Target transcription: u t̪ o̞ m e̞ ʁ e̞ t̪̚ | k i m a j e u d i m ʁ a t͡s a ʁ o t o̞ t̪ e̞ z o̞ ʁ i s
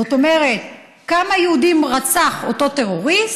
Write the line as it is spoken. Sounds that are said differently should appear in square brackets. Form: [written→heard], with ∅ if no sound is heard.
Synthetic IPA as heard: [u→o] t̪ o̞ m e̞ ʁ e̞ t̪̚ | k [i→a] m a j e u d i m ʁ a t͡s a [ʁ→χ] o t o̞ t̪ e̞ [z→ʁ] o̞ ʁ i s